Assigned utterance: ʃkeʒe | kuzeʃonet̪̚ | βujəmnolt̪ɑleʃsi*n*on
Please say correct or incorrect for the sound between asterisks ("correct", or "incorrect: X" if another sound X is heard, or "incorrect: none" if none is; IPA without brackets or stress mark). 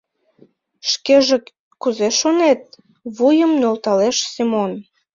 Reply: incorrect: m